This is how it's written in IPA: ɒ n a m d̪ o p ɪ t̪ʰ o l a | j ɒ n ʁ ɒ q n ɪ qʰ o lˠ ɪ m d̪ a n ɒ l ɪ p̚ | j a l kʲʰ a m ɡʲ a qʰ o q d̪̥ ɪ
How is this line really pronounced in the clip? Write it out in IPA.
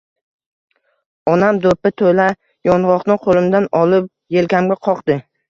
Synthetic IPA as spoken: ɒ n a m d̪ o p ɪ t̪ʰ o l a | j ɒ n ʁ ɒ q n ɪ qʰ o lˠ ɪ m d̪ a n ɒ l ɪ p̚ | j e l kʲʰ a m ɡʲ a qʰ ɒ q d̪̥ ɪ